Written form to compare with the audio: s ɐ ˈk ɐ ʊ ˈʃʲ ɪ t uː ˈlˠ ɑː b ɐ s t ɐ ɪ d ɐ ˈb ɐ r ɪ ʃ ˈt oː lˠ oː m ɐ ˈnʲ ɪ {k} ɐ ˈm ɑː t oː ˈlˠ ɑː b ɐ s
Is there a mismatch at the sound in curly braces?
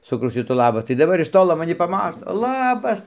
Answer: yes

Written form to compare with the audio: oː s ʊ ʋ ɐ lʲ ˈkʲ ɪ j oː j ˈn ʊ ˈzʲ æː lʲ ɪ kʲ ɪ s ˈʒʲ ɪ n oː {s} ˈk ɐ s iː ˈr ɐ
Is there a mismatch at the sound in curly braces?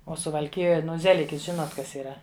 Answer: yes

